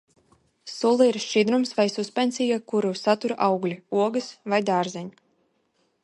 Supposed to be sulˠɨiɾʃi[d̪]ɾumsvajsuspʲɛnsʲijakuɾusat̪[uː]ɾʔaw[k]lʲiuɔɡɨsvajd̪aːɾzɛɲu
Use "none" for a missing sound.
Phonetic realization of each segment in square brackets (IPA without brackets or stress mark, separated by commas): d̪, u, ɡ